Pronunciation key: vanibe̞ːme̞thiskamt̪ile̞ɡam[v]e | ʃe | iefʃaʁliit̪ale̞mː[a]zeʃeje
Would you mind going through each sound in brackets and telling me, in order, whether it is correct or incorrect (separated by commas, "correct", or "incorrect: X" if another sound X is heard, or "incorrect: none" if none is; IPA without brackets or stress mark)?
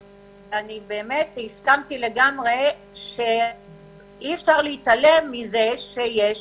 incorrect: ʁ, incorrect: i